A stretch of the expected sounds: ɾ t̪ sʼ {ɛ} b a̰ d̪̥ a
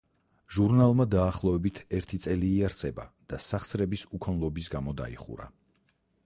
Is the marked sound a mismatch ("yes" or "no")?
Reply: no